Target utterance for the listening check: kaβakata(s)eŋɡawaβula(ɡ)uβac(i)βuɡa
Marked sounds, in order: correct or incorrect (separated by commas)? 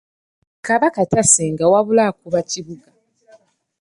correct, incorrect, correct